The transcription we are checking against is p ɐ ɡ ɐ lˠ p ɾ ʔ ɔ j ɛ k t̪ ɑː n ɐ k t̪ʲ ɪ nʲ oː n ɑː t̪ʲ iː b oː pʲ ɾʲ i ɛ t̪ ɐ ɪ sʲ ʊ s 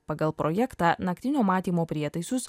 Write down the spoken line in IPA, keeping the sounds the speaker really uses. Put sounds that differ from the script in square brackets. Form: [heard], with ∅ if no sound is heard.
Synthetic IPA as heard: p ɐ ɡ ɐ lˠ p ɾ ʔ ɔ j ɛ k t̪ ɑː n ɐ k t̪ʲ ɪ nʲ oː [m] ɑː t̪ʲ iː [m] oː pʲ ɾʲ i ɛ t̪ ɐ ɪ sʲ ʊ s